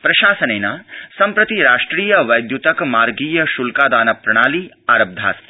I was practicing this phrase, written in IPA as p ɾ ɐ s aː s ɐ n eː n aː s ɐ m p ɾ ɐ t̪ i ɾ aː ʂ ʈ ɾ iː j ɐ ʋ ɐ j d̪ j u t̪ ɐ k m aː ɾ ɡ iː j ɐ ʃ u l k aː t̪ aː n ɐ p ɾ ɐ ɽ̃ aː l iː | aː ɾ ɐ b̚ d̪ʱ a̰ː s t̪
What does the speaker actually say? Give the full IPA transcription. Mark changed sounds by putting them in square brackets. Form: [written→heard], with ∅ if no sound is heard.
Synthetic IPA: p ɾ ɐ [s→ʃ] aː s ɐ n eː n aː s ɐ m p ɾ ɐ t̪ i ɾ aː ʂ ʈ ɾ iː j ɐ ʋ ɐ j d̪ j u t̪ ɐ k m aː ɾ ɡ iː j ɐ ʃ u l k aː [t̪→d̪] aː n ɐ p ɾ ɐ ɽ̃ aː l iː | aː ɾ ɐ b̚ d̪ʱ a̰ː s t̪